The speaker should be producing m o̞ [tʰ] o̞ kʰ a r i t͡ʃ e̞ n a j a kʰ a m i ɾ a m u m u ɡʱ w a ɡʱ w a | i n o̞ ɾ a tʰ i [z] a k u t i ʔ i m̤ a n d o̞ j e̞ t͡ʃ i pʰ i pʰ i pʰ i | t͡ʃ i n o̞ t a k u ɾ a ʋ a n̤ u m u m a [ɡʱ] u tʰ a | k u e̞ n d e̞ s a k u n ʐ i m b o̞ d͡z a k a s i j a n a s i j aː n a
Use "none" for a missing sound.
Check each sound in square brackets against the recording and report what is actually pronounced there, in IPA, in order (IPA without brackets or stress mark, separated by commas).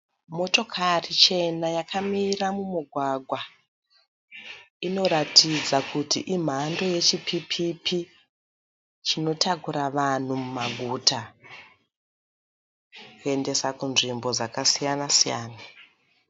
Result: t, d͡z, ɡʱ